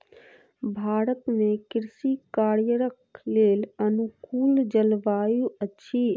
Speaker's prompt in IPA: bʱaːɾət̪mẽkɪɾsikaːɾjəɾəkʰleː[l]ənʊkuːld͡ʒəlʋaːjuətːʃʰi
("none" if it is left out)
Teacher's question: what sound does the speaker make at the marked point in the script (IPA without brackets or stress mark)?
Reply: l